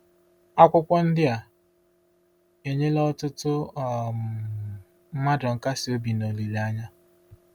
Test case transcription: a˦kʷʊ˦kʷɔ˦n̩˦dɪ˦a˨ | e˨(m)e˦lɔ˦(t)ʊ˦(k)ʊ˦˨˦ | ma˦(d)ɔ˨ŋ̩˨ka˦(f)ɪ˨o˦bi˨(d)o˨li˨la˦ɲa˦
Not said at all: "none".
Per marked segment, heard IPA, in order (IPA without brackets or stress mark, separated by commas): ɲ, t, t, d, s, n